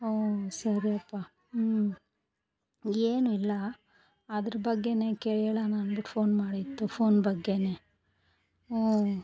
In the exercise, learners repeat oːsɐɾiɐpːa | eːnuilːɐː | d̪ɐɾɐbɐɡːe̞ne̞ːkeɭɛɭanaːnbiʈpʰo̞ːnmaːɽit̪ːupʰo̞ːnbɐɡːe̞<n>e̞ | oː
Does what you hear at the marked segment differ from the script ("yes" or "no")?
no